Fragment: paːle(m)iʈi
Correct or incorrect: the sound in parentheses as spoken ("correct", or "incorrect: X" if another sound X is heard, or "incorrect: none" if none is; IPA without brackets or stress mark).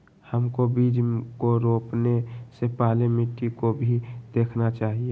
correct